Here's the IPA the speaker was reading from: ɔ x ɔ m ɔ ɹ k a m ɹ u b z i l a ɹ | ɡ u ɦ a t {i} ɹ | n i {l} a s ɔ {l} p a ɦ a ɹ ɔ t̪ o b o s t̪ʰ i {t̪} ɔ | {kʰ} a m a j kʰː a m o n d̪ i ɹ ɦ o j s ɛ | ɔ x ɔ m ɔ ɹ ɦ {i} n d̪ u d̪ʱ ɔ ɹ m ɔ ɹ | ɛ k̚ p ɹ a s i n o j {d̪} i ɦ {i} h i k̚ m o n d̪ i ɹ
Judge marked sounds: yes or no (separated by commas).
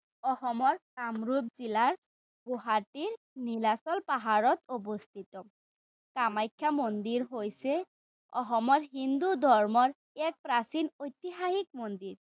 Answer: yes, yes, yes, yes, no, yes, no, no